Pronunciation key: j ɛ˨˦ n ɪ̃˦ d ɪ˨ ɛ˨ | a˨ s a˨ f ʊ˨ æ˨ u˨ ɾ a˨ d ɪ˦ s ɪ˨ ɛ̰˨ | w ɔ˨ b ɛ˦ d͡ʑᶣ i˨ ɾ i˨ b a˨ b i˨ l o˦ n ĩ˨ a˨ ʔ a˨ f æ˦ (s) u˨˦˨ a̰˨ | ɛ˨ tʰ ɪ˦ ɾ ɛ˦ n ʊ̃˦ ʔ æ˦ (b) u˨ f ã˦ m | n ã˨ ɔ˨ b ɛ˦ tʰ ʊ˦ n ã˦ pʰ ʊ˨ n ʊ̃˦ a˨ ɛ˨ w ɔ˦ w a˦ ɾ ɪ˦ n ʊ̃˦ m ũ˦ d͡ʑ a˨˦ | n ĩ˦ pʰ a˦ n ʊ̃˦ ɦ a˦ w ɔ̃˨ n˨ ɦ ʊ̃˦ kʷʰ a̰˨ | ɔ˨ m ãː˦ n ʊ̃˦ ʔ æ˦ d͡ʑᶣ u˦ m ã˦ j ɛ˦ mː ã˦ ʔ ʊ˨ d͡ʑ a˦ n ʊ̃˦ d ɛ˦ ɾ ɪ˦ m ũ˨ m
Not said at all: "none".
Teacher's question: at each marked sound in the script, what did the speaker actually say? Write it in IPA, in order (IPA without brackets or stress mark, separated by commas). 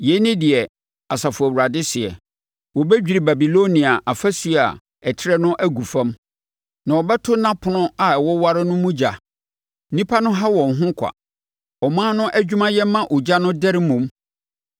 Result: s, ɡ